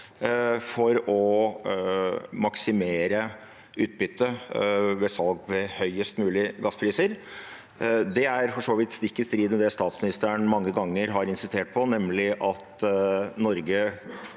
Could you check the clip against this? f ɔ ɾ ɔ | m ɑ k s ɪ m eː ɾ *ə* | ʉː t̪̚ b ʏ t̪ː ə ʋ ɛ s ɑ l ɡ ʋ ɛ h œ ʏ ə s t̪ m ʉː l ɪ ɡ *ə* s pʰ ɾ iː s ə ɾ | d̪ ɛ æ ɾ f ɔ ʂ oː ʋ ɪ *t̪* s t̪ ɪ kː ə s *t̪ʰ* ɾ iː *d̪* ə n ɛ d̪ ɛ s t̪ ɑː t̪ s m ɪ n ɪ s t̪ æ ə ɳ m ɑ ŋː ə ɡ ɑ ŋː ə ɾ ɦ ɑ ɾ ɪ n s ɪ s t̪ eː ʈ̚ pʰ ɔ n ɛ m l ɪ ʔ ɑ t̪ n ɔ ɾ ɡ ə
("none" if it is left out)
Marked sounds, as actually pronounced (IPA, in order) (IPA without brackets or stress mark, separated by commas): ə, ɑ, t̪, t̪, d̪